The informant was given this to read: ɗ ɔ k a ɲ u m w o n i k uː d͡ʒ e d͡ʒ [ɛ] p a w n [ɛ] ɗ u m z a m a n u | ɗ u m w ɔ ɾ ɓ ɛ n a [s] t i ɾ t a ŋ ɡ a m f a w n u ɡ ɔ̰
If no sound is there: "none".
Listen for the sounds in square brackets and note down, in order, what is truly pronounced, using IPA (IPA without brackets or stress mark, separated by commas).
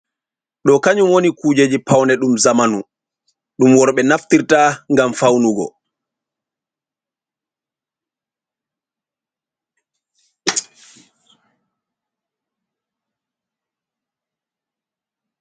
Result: i, ɛ, f